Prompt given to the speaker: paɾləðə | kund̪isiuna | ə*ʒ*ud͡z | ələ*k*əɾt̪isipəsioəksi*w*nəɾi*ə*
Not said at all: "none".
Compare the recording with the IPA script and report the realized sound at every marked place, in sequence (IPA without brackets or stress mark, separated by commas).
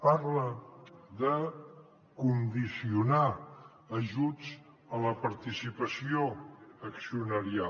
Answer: ʒ, p, u, a